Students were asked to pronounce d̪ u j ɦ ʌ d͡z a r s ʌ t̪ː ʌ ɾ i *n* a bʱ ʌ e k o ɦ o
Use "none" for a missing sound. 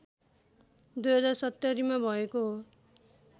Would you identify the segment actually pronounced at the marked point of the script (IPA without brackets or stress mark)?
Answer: m